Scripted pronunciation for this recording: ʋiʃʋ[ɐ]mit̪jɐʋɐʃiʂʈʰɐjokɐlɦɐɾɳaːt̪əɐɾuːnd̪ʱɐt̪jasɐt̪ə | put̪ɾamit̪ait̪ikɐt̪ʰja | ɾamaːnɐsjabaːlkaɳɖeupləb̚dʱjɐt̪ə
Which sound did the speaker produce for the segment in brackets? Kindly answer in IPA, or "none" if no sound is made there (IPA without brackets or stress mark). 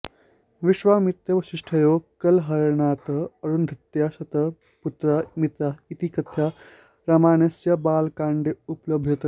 a